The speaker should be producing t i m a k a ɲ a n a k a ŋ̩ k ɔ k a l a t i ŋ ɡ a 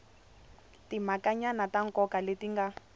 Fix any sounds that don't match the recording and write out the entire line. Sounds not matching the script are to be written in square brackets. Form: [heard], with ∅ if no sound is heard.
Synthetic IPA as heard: t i m a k a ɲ a n a [t] a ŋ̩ k ɔ k a l [e] t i ŋ ɡ a